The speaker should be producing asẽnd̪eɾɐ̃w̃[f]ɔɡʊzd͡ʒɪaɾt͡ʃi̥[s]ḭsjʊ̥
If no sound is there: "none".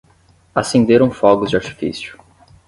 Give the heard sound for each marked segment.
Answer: f, f

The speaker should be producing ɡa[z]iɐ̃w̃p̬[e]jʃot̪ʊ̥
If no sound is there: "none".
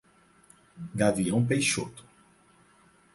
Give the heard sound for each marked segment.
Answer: v, e

